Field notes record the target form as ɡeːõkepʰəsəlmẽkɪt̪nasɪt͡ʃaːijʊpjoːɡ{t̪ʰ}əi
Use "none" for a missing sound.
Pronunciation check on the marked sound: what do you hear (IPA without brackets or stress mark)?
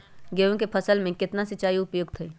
t̪ʰ